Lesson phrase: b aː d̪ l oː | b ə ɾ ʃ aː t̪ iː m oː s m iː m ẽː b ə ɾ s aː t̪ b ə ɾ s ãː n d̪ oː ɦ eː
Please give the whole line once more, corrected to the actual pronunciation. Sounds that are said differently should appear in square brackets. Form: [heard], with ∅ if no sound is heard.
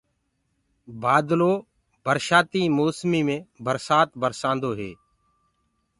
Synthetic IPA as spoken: b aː d̪ l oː | b ə ɾ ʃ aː t̪ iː m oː s m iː m ẽː b ə ɾ s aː t̪ b ə ɾ s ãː n d̪ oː ɦ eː